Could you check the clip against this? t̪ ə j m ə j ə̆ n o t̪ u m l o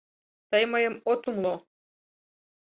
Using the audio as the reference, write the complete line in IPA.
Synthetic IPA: t̪ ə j m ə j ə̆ m o t̪ u m l o